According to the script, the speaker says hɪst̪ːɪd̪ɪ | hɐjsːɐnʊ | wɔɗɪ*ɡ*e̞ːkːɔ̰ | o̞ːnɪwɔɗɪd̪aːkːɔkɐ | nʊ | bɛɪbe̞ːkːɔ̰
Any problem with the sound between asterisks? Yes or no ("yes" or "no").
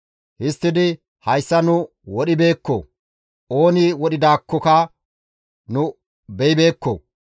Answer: yes